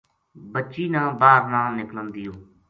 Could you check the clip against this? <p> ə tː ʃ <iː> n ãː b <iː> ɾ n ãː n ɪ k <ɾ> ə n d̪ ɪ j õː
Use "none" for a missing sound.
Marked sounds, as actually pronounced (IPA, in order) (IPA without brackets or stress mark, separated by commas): b, iː, aː, l